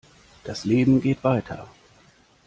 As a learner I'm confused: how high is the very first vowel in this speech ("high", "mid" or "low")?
low